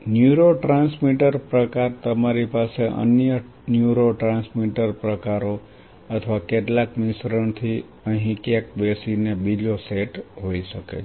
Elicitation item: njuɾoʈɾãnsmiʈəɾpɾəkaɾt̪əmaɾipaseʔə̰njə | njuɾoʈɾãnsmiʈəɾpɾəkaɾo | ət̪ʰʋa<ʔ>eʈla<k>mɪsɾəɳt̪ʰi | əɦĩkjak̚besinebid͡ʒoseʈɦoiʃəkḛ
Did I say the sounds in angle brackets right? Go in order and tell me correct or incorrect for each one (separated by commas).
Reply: incorrect, correct